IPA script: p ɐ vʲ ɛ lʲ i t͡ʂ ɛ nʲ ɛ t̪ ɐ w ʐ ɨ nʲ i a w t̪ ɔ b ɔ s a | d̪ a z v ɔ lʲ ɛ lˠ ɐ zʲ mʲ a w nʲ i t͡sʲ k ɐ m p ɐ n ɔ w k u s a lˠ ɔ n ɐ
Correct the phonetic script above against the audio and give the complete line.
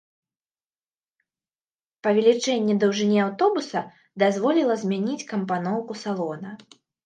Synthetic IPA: p ɐ vʲ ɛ lʲ i t͡ʂ ɛ nʲː ɛ d̪ ɐ w ʐ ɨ nʲ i a w t̪ ɔ b u s ɐ | d̪ a z v ɔ lʲ i lˠ ɐ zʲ mʲ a nʲ i t͡sʲ k ɐ m p a n ɔ w k u s a lˠ ɔ n ɐ